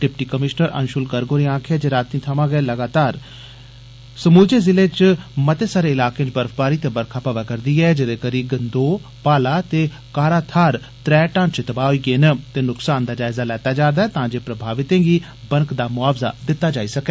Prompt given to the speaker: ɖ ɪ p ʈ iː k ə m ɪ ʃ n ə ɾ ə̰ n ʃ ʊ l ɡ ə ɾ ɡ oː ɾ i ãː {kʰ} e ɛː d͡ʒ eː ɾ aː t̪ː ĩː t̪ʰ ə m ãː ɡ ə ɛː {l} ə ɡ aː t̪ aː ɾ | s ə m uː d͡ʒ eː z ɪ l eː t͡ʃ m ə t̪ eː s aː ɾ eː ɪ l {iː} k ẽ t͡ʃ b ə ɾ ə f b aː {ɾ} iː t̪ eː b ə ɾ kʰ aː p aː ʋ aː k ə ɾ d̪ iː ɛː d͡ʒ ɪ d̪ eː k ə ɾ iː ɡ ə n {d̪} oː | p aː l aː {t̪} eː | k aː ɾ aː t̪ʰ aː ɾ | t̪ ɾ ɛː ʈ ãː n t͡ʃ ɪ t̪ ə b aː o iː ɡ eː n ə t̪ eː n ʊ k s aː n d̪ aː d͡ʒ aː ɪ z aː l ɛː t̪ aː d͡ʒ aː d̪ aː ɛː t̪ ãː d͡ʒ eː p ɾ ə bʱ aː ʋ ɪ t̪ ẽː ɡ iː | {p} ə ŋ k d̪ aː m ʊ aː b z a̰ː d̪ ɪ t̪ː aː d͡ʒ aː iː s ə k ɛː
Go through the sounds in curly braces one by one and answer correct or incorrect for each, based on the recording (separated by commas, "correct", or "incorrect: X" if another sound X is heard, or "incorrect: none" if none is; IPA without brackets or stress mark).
correct, correct, incorrect: aː, correct, correct, correct, incorrect: b